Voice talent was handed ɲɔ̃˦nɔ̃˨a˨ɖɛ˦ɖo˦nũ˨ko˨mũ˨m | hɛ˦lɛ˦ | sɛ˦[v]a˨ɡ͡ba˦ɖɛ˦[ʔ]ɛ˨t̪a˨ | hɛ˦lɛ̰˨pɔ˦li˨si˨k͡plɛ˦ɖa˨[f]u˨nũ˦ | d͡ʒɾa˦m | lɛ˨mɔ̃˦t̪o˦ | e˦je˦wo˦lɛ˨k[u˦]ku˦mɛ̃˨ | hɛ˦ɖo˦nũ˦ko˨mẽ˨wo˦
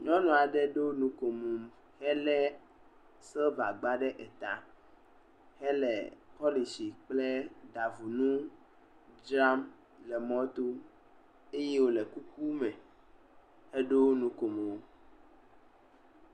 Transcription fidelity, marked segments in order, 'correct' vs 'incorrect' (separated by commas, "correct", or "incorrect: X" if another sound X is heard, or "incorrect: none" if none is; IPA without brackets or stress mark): correct, correct, incorrect: v, correct